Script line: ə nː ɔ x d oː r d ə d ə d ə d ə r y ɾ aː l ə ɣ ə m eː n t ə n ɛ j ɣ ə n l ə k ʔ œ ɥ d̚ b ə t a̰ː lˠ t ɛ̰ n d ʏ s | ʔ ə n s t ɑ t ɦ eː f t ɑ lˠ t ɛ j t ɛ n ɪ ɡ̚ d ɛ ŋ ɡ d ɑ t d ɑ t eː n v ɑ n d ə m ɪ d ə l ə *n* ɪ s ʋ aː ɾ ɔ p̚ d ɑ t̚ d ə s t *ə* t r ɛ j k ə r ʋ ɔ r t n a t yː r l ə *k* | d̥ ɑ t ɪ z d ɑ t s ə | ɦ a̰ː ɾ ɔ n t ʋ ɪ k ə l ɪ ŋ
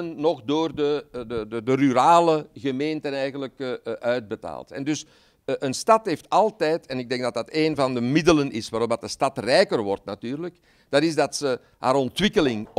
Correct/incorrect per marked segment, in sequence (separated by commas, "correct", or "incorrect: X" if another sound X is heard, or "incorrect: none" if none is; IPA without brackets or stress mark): correct, incorrect: ɑ, correct